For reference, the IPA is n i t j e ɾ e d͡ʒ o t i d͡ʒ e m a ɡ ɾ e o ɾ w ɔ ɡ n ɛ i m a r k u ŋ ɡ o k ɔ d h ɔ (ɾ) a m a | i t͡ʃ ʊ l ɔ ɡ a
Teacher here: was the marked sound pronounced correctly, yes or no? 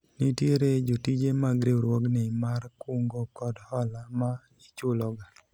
no